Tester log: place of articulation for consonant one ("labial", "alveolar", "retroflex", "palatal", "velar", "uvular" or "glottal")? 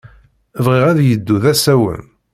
labial